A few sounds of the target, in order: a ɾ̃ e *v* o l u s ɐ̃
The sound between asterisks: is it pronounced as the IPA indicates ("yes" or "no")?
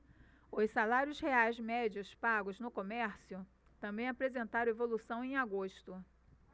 yes